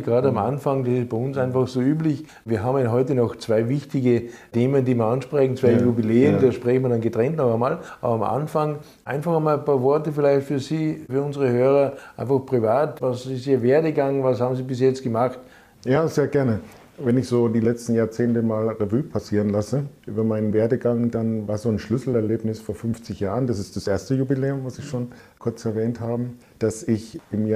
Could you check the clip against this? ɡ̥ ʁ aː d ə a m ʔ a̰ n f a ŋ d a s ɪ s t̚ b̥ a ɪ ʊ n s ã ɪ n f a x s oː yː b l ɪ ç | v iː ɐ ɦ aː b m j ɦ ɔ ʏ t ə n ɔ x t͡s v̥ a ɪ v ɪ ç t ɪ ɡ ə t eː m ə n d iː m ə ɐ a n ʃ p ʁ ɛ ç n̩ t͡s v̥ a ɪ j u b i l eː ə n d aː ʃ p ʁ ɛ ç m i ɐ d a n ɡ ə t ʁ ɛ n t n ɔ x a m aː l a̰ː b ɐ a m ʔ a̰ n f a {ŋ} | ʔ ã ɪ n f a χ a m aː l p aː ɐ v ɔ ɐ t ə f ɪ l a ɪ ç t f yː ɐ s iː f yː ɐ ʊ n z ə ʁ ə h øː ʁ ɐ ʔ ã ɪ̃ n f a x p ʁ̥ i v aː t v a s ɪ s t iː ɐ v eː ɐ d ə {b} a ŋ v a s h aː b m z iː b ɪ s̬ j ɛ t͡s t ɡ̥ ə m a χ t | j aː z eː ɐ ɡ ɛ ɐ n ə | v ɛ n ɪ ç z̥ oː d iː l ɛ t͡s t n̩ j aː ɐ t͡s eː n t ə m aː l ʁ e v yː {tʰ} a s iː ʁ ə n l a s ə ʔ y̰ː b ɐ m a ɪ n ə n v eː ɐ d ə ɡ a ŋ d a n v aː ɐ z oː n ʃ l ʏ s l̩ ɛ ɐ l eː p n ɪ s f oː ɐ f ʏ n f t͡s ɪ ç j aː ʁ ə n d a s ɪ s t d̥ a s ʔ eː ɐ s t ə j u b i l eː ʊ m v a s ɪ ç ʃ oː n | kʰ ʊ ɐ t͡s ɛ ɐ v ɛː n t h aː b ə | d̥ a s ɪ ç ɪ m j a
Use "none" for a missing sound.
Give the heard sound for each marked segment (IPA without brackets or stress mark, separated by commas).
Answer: ŋ, ɡ, pʰ